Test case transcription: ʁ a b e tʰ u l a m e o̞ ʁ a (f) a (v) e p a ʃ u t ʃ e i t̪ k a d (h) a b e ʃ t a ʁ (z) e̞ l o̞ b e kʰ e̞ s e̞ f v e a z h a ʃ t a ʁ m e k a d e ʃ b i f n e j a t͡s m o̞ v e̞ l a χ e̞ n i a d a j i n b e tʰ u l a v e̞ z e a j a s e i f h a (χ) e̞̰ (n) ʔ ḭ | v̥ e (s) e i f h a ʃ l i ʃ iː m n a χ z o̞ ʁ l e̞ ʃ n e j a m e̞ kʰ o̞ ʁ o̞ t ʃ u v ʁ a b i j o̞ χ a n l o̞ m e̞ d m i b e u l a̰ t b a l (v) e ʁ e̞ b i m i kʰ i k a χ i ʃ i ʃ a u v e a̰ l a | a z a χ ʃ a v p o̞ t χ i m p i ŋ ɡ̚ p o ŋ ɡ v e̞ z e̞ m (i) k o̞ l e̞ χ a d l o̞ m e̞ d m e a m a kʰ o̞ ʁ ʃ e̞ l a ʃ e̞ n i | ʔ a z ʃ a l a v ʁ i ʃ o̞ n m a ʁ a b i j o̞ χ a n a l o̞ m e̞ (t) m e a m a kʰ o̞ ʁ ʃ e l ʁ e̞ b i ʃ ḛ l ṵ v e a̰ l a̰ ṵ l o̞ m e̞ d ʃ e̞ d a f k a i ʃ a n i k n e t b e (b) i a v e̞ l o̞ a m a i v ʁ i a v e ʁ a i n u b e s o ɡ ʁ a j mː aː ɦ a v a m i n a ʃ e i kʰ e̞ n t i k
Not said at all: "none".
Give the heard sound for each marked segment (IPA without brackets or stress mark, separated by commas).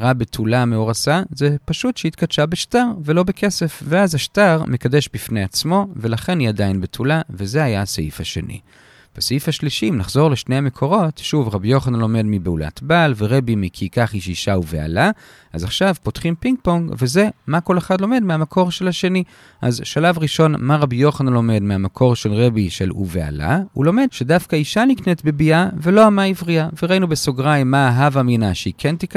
s, z, ʃ, v, ʃ, n, s, v, a, d, b